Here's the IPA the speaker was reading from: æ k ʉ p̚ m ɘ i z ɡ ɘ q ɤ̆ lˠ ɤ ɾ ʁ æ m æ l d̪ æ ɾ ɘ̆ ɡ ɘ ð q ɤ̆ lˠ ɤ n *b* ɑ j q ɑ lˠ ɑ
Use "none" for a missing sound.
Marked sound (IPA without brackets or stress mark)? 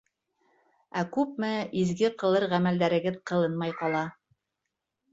m